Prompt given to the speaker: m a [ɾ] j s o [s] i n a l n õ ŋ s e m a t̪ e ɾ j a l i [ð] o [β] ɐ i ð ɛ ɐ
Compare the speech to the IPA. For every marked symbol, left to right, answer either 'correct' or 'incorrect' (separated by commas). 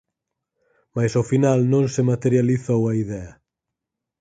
incorrect, incorrect, incorrect, incorrect